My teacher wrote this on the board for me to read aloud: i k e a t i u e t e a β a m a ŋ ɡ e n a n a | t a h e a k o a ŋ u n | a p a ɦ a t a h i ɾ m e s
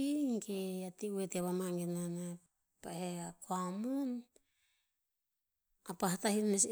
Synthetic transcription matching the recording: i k e a t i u e t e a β a m a ŋ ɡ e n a n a | p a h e a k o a m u n | a p a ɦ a t a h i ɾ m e s